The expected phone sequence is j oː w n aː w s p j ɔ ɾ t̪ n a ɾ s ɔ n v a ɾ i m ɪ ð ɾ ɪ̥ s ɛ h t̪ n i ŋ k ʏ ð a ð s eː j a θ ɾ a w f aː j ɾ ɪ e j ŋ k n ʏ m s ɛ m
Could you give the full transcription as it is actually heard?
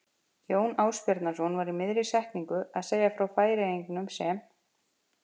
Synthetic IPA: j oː w n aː w s p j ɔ ɾ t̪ n a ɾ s ɔ n v a ɾ i m ɪ ð ɾ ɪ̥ s ɛ h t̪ n i ŋ k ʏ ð a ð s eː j a f ɾ a w f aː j ɾ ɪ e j ŋ k n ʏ m s ɛ m